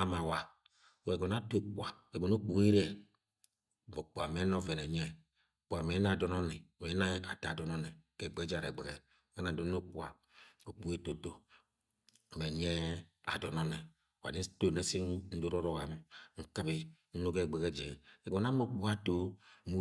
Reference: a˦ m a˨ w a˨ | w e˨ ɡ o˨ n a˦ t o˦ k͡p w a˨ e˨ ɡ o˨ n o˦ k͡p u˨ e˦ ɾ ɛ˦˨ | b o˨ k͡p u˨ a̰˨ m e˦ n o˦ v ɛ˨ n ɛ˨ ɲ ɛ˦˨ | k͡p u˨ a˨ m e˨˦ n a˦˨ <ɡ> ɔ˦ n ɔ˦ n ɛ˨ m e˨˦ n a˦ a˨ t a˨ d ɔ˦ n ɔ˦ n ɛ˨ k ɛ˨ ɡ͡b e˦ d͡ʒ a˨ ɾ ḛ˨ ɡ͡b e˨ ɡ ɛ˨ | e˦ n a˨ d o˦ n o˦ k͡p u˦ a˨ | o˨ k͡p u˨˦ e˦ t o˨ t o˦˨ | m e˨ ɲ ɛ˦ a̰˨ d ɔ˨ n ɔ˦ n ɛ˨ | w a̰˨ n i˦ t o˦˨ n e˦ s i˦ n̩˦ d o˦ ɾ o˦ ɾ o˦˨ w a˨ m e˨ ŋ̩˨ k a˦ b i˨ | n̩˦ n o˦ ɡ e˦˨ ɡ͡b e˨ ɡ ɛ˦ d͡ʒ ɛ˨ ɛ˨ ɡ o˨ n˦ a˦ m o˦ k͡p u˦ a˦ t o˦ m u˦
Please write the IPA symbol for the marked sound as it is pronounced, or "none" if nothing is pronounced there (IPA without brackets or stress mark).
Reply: d